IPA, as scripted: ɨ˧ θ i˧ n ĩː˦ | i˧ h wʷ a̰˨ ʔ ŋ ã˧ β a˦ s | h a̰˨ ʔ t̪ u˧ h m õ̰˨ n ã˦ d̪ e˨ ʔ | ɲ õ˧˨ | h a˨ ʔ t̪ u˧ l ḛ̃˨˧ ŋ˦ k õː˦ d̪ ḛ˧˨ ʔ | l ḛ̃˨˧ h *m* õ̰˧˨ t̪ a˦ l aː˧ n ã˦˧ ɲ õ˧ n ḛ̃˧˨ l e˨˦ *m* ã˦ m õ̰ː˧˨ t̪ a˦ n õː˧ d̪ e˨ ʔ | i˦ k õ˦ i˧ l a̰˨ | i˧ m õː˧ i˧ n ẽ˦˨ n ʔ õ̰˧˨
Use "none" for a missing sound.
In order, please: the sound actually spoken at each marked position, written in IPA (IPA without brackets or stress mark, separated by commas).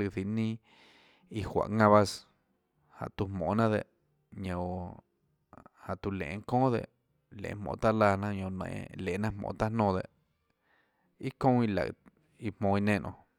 m, n